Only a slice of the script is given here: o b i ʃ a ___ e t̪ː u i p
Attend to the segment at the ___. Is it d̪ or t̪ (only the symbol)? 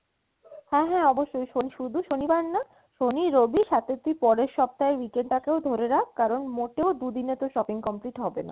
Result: t̪